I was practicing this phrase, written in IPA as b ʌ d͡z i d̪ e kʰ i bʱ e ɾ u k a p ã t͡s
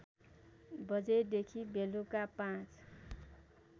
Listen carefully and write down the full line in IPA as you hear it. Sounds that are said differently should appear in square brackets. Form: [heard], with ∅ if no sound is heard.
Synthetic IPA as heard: b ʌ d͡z [e] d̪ e kʰ i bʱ e [l] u k a p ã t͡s

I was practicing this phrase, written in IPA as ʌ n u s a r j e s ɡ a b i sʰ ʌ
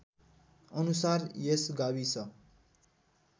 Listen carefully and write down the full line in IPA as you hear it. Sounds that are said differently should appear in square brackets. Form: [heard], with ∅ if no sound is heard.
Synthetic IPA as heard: ʌ n u s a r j e s ɡ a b i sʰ ʌ

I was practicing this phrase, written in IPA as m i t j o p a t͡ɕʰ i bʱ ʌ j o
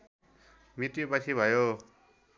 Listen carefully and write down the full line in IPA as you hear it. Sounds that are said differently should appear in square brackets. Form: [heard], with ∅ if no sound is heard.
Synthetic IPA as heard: m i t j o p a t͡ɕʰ i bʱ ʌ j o

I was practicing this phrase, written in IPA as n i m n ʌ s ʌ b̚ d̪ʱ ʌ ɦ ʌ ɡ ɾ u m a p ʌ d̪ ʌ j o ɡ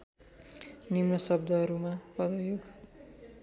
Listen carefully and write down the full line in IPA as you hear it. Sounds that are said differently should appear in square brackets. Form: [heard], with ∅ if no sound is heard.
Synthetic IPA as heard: n i m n ʌ s ʌ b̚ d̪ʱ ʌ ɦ ʌ [∅] ɾ u m a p ʌ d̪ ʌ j o ɡ

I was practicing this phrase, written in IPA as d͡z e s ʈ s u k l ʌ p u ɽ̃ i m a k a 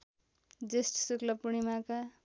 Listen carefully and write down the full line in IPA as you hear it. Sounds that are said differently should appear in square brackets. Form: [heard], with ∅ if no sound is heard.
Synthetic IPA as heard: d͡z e s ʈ s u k l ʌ p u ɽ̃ i m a k a

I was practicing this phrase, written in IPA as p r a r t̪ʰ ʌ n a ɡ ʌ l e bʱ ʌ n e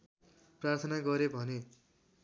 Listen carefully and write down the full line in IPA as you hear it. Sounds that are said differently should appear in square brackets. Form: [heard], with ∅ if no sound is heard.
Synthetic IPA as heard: p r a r t̪ʰ ʌ n a ɡ ʌ [ɾ] e bʱ ʌ n e

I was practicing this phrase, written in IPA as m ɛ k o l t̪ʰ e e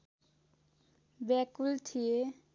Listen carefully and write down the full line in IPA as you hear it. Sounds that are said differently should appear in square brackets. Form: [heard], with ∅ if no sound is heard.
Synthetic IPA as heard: [b] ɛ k [u] l t̪ʰ [i] e

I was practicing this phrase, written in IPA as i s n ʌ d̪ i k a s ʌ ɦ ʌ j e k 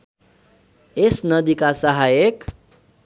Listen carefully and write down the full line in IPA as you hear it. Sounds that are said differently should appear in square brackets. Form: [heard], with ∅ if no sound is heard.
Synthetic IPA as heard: [e] s n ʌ d̪ i k a s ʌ ɦ [a] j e k

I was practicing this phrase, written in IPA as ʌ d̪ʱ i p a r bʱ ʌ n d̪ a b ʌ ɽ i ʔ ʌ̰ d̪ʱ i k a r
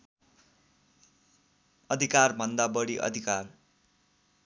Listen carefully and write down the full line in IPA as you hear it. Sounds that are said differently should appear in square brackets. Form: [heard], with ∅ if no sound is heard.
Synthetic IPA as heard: ʌ d̪ʱ i [k] a r bʱ ʌ n d̪ a b ʌ ɽ i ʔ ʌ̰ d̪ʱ i k a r

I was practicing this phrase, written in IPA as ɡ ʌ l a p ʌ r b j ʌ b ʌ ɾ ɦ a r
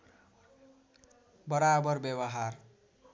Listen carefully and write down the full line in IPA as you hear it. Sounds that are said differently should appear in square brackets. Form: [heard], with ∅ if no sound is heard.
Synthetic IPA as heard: [b] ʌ [ɾ] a [b] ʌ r b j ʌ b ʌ [∅] ɦ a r

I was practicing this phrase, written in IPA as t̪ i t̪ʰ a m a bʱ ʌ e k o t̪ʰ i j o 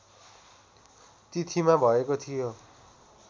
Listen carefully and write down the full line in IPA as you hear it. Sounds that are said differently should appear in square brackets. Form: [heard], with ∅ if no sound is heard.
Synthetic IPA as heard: t̪ i t̪ʰ [i] m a bʱ ʌ e k o t̪ʰ i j o

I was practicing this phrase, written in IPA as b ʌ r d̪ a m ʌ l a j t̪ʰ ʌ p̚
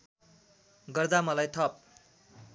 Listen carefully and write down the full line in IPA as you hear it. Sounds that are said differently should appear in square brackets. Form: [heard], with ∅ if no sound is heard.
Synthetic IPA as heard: [ɡ] ʌ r d̪ a m ʌ l a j t̪ʰ ʌ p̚

